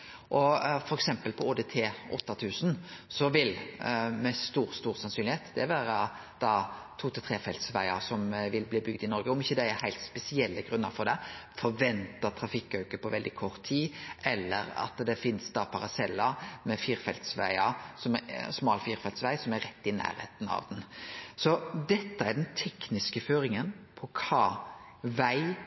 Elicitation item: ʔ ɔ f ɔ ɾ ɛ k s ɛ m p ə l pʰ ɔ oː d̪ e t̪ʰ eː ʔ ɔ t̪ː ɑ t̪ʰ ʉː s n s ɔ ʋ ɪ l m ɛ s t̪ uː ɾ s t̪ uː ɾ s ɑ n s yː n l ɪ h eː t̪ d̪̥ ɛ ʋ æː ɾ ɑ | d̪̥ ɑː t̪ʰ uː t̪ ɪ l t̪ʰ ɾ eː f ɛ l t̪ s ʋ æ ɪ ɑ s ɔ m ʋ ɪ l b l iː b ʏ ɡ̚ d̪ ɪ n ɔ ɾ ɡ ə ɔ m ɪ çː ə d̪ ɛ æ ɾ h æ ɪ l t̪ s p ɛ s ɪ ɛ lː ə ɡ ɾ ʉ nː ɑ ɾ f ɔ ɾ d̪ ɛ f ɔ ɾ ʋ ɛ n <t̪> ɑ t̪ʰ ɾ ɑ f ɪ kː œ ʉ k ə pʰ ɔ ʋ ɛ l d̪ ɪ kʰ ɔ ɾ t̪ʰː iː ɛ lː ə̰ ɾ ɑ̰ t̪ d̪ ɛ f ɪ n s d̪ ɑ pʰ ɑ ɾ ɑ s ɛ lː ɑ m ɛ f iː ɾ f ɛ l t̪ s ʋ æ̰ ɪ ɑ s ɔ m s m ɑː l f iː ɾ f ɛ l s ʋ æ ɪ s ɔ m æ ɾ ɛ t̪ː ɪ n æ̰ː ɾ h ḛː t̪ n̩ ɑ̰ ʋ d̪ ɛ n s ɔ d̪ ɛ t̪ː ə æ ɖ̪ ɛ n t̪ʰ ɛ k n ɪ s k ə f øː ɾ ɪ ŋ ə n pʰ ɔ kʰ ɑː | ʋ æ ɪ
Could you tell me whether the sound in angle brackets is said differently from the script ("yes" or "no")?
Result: no